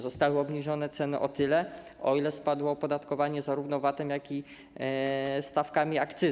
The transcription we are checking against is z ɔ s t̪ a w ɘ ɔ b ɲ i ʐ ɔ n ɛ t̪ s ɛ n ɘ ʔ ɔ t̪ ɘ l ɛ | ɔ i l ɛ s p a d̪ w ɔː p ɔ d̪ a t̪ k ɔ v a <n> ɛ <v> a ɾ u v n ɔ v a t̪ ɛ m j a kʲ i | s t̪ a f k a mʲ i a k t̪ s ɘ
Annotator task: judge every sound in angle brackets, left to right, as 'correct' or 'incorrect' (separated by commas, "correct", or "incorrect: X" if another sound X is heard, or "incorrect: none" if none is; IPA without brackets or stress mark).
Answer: incorrect: ɲ, incorrect: z